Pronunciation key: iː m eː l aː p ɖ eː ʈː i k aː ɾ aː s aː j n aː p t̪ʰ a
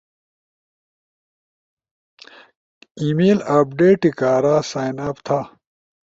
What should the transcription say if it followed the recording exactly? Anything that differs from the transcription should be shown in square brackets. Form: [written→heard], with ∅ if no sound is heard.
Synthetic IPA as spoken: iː m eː l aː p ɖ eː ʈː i k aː ɾ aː s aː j n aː p t̪ʰ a